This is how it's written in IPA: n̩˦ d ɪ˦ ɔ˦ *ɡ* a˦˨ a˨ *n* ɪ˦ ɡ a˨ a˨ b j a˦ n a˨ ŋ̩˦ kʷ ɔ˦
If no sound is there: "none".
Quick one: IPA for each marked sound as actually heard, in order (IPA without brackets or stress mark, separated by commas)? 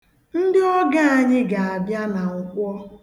ɡ, ɲ